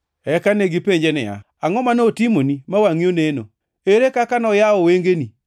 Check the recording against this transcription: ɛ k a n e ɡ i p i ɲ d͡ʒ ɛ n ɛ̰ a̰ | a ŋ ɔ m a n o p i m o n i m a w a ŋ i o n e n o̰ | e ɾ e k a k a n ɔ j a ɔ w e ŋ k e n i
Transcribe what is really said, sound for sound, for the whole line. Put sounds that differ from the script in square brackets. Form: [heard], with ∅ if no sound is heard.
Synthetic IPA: ɛ k a n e ɡ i p [e] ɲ d͡ʒ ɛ n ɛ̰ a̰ | a ŋ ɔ m a n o [t] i m o n i m a w a ŋ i o n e n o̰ | e ɾ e k a k a n ɔ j a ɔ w e ŋ [ɡ] e n i